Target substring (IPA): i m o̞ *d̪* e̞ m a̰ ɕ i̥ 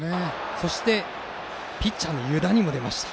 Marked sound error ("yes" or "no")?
no